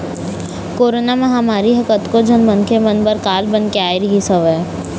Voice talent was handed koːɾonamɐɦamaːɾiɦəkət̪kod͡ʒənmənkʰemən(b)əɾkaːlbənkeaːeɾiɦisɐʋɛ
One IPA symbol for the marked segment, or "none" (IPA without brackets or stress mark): b